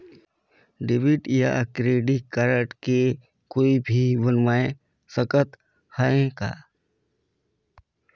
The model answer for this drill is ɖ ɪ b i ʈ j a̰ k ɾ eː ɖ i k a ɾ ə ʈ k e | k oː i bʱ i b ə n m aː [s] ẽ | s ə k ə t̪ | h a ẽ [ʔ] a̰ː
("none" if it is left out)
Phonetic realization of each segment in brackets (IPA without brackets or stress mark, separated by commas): none, k